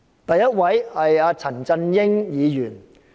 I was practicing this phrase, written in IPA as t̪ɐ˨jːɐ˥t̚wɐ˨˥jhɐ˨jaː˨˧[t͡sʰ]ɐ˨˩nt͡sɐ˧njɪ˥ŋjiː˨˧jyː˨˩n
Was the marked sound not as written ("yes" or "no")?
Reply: no